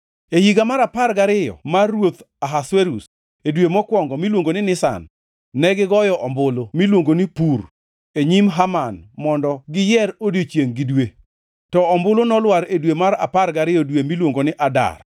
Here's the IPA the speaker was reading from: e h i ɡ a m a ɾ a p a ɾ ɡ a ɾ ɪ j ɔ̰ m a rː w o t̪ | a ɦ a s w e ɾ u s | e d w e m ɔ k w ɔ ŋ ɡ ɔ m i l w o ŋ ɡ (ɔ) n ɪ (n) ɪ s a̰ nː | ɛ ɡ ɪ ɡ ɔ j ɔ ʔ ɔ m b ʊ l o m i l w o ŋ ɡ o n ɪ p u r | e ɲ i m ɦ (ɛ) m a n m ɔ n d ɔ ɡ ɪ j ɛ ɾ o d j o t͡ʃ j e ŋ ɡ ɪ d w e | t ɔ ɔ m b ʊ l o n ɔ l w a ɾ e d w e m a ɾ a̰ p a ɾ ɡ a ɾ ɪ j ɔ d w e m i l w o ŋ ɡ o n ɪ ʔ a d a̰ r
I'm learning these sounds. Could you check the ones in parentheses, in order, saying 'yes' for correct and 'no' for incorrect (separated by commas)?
no, yes, no